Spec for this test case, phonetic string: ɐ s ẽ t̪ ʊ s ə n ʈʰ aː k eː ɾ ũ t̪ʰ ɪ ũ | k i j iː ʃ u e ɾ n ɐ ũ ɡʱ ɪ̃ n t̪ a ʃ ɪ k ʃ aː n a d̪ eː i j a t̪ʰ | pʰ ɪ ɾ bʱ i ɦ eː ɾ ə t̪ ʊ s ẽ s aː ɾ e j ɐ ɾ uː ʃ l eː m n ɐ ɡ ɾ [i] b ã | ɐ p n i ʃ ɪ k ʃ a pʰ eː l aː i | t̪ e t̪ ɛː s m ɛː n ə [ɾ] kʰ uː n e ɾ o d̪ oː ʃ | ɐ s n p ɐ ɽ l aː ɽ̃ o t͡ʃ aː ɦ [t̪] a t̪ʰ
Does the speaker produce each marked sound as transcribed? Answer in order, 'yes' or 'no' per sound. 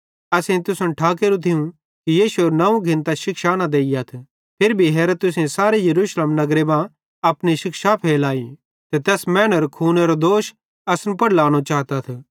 no, yes, yes

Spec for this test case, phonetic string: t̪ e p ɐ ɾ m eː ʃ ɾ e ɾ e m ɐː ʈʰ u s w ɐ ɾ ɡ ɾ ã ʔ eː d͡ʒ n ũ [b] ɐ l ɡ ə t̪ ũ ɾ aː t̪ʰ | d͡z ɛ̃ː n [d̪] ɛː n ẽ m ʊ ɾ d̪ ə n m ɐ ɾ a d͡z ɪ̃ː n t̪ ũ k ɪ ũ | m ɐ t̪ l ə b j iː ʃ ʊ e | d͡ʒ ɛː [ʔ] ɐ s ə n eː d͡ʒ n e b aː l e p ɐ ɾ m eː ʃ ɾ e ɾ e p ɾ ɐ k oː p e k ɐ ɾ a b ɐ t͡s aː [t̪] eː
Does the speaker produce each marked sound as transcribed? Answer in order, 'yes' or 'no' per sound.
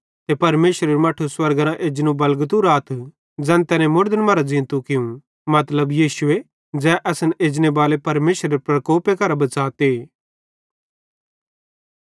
yes, no, yes, yes

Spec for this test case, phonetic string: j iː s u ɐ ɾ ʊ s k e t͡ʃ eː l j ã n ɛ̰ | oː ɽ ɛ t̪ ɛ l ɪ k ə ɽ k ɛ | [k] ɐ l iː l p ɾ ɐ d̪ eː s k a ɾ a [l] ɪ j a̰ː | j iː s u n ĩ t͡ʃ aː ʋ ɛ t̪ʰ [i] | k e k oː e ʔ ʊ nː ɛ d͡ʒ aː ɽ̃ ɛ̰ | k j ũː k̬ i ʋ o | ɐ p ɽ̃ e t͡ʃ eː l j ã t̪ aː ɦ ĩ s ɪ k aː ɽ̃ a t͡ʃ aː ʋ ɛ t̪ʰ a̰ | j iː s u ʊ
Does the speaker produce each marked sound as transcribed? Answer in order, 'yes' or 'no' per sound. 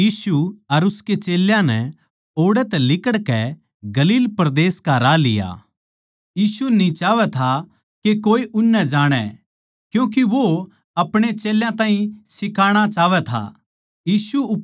no, yes, no

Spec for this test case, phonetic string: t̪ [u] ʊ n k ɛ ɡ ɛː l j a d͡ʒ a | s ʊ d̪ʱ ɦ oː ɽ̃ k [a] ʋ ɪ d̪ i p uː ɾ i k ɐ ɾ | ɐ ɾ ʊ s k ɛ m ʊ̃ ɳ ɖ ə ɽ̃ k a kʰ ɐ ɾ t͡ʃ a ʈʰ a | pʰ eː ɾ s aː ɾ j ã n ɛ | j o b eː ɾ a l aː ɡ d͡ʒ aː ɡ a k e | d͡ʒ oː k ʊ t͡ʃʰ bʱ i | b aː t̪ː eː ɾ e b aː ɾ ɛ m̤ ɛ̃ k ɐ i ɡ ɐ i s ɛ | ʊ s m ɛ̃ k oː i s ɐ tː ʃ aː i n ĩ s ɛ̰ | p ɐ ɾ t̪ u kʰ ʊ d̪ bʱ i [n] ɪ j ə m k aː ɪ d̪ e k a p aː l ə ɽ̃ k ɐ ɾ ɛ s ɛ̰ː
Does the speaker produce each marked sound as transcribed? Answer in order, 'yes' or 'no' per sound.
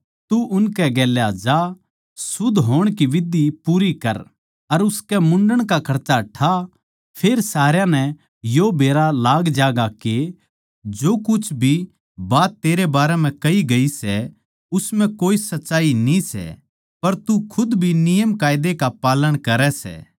yes, no, yes

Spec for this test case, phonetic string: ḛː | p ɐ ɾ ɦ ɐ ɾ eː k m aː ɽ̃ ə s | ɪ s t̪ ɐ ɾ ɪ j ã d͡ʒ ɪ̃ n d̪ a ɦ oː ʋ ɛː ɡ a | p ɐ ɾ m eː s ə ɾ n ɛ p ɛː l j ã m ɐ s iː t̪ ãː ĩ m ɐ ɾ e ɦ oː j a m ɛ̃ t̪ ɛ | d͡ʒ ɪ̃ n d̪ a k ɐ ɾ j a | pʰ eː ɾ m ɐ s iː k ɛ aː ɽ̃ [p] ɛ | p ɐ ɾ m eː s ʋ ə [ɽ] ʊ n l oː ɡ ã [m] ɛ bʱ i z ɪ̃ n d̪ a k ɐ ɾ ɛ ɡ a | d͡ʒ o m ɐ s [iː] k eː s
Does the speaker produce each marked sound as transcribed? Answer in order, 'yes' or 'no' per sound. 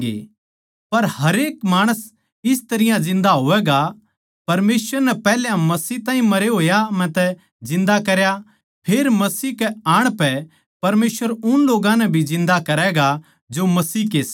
yes, no, no, yes

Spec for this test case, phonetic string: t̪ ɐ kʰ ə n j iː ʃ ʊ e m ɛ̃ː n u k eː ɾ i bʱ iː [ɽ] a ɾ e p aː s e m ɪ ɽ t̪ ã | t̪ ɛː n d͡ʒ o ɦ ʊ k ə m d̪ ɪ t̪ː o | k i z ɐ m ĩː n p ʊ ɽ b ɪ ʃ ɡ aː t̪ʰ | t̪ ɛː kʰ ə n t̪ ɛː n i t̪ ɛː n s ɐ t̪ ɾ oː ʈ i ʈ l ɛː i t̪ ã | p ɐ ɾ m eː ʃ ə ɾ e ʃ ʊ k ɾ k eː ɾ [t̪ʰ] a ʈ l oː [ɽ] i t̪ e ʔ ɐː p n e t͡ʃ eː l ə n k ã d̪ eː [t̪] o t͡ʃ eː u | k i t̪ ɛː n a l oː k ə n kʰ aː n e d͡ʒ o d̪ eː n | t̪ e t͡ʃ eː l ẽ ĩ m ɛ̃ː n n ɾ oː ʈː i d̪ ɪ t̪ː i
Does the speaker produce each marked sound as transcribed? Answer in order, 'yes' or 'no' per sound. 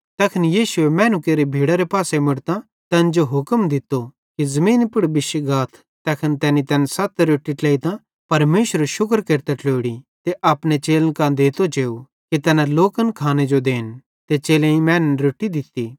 yes, no, yes, yes

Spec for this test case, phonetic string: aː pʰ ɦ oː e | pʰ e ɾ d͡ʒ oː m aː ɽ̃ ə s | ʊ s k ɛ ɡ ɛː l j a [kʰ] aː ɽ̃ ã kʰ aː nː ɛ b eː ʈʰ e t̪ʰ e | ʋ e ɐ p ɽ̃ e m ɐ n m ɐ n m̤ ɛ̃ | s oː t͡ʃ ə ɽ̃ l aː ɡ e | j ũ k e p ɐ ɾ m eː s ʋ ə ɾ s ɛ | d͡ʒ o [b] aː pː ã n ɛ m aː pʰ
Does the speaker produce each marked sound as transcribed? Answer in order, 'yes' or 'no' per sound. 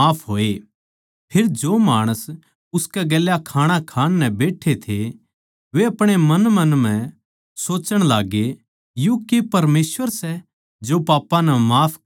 yes, no

